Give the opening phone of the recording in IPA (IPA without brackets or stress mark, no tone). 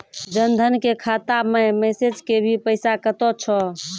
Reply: d͡ʒ